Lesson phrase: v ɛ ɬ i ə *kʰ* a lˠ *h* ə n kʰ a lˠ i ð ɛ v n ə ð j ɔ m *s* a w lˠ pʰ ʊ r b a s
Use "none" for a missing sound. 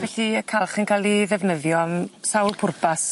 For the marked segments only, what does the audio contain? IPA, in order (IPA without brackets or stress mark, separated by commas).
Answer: kʰ, χ, s